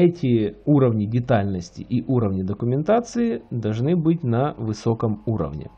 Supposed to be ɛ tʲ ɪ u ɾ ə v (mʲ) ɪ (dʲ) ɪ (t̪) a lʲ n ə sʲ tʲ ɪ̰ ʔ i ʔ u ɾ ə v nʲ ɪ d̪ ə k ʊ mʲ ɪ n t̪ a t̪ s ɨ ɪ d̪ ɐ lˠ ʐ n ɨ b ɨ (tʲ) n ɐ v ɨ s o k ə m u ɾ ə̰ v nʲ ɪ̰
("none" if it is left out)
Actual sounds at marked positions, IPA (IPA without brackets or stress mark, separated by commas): nʲ, dʲ, t̪, tʲ